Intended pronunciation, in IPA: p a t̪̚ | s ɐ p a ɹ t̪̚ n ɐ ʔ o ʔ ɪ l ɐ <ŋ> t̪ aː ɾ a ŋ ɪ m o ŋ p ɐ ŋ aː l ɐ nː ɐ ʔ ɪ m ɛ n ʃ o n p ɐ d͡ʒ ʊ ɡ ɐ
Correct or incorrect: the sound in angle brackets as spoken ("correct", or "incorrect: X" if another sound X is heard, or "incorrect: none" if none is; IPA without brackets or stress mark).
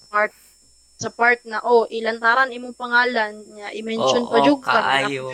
incorrect: n